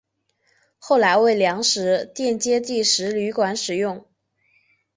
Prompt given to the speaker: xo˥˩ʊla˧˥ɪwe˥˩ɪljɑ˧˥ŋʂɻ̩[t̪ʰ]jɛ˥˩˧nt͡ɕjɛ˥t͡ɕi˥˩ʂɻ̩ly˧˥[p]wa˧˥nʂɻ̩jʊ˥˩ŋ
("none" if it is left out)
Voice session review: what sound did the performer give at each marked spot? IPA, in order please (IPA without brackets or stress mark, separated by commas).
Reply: t̪, k